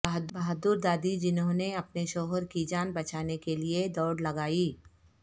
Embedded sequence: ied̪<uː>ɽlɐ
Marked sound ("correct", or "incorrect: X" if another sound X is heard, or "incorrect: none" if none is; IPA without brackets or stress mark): incorrect: ɔː